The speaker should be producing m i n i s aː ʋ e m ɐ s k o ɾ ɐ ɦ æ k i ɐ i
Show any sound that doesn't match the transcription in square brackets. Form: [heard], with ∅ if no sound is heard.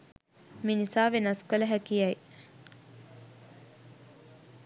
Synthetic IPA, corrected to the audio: m i n i s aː ʋ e [n] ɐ s k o [l] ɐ ɦ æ k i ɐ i